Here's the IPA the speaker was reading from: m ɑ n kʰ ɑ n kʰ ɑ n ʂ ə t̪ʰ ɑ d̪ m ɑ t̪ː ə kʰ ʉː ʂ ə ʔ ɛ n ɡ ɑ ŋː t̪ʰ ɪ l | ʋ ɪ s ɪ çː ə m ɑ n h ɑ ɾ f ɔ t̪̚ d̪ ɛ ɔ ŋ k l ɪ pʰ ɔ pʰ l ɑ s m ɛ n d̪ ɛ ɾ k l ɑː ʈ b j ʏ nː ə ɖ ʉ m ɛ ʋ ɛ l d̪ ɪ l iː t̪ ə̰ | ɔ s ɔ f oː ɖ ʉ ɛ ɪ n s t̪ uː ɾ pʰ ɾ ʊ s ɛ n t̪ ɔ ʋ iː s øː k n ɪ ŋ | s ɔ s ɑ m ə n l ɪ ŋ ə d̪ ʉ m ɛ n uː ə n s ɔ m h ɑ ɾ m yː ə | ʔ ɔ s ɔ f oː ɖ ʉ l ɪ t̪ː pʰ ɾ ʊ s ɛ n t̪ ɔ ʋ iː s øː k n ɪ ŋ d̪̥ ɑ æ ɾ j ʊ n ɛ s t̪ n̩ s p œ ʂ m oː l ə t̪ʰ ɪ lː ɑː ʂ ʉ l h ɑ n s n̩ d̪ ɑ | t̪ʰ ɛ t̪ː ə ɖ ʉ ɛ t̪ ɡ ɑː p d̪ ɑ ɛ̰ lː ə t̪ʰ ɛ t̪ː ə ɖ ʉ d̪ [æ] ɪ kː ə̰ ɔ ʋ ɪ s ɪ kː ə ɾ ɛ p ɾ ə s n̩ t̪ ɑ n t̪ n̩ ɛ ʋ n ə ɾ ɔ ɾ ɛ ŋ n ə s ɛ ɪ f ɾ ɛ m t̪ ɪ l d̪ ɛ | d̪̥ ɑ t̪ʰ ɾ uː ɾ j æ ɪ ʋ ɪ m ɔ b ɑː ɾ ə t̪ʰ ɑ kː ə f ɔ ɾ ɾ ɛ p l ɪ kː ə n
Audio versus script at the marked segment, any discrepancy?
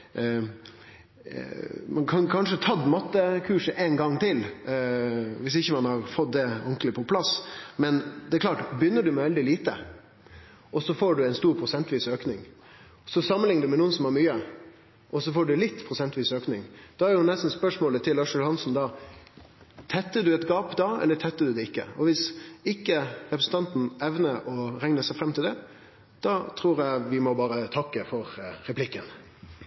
yes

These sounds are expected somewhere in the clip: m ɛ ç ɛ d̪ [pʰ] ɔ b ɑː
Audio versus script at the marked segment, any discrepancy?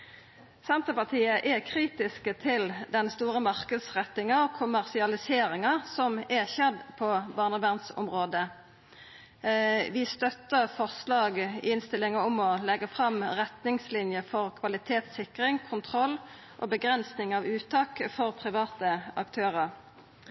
no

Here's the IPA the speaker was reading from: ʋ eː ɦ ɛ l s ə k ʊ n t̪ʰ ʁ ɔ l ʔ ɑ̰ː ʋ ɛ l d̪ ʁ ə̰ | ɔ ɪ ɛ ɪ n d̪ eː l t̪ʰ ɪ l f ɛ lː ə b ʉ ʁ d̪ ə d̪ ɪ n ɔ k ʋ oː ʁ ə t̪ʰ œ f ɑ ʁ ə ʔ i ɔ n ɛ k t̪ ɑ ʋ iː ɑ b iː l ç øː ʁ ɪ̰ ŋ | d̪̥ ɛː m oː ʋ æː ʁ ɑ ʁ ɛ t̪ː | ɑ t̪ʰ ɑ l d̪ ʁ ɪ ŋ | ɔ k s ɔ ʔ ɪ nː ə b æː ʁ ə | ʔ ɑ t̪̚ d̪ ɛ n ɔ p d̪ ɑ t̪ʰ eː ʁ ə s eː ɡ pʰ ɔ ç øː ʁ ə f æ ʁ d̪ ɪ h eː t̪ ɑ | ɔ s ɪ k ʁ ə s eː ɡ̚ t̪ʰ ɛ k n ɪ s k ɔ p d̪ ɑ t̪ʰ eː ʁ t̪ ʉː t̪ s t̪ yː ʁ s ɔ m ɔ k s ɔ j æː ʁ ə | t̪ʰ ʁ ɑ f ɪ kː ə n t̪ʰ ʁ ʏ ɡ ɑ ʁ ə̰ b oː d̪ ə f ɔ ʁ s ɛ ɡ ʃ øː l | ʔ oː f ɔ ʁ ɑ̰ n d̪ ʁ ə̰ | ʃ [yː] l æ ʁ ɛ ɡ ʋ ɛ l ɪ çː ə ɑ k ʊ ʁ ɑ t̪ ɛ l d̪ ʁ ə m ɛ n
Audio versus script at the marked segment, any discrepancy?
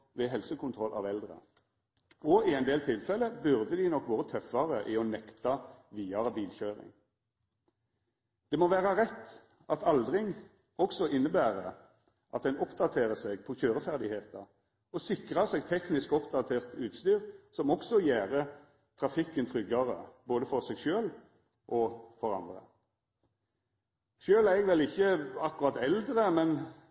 yes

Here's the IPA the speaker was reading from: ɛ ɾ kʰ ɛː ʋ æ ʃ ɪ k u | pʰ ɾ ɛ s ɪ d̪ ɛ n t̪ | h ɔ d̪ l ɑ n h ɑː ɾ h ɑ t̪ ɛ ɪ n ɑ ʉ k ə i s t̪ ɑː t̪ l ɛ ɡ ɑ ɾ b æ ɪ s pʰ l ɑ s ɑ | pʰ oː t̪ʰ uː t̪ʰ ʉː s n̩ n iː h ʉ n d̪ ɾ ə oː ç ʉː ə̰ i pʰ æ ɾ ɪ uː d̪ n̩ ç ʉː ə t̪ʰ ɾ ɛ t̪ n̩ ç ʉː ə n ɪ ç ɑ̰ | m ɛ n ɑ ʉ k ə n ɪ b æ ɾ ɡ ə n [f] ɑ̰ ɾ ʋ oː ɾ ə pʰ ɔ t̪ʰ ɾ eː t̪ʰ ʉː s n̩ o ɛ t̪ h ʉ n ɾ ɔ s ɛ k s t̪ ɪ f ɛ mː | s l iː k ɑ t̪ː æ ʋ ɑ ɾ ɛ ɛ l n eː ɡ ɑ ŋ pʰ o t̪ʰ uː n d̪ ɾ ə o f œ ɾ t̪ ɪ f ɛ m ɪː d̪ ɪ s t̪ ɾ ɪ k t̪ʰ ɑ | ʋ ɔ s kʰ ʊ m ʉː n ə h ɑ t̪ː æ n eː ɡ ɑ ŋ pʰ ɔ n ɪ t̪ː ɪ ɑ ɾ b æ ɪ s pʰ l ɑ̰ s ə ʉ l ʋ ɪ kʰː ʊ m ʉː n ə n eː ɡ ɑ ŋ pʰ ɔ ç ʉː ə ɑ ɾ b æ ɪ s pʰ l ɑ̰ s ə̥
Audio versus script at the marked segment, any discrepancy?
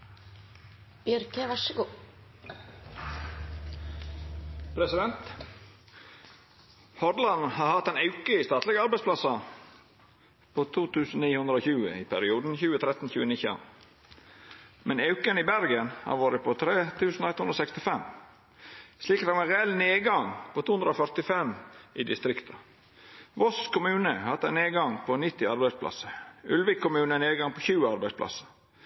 yes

